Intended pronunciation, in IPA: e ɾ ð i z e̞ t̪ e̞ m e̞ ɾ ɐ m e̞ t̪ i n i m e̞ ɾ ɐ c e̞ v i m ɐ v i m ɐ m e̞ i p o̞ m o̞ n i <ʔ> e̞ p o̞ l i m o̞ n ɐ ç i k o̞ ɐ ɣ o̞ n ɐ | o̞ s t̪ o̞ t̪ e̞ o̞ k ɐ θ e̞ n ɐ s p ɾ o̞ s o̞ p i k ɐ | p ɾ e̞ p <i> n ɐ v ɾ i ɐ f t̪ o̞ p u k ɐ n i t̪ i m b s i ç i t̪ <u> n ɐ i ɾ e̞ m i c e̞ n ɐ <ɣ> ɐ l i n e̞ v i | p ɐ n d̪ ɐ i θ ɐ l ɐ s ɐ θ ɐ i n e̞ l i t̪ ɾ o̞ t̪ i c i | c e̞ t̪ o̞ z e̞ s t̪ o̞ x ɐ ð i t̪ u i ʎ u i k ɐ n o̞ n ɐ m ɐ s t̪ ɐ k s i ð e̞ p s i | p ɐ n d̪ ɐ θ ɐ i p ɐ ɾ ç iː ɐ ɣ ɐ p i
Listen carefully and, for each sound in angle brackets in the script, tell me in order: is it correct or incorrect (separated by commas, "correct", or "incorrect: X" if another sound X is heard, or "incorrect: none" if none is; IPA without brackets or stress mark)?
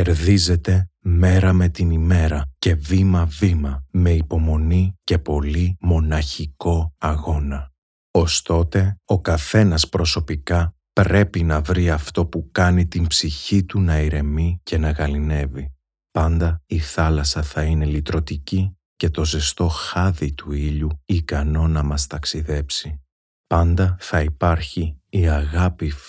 incorrect: c, correct, correct, correct